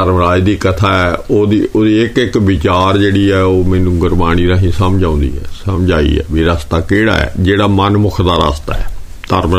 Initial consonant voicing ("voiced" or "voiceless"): voiced